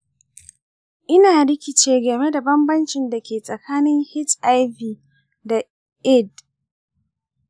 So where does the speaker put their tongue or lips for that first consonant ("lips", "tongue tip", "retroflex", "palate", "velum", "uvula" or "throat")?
throat